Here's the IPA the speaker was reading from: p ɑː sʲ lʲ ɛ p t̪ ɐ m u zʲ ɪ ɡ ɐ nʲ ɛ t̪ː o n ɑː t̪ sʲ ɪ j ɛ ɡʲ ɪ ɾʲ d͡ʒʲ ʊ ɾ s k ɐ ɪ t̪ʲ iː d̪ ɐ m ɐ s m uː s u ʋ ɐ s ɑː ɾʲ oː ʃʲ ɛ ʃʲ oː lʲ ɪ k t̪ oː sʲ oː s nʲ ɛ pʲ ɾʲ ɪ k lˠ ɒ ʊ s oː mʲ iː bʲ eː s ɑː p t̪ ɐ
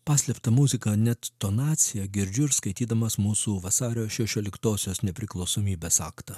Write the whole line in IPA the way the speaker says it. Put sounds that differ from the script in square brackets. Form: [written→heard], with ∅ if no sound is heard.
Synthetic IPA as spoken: p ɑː sʲ lʲ ɛ p t̪ ɐ m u zʲ ɪ [ɡ→k] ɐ nʲ ɛ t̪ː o n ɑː t̪ sʲ ɪ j ɛ ɡʲ ɪ ɾʲ d͡ʒʲ ʊ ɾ s k ɐ ɪ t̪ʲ iː d̪ ɐ m ɐ s m uː s u ʋ ɐ s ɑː ɾʲ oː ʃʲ ɛ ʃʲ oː lʲ ɪ k t̪ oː sʲ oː s nʲ ɛ pʲ ɾʲ ɪ k lˠ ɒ ʊ s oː mʲ iː bʲ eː s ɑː [p→k] t̪ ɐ